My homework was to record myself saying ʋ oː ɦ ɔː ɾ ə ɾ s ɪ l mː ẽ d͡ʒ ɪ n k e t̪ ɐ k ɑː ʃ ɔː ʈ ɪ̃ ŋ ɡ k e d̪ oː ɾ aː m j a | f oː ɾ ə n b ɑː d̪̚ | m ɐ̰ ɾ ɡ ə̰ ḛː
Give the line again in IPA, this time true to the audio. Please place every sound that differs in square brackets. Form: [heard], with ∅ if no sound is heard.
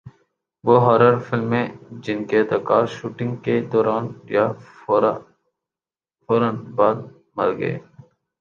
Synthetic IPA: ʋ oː ɦ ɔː ɾ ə ɾ [f] ɪ l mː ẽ d͡ʒ ɪ n k e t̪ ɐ k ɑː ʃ [uː] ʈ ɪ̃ ŋ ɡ k e d̪ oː ɾ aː [n] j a | f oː ɾ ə n b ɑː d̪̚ | m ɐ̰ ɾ ɡ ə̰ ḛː